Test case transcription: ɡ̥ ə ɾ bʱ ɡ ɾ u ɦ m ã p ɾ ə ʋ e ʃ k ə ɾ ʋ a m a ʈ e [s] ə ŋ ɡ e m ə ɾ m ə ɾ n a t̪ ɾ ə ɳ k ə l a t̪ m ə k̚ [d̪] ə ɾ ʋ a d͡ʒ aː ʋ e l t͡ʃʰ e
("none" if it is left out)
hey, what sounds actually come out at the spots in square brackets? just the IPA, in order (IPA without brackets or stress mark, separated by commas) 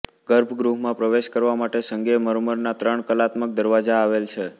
s, d̪